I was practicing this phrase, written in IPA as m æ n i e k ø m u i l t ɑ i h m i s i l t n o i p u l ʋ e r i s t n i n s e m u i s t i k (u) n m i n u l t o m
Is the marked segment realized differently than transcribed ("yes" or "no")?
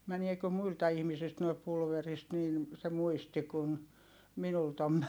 no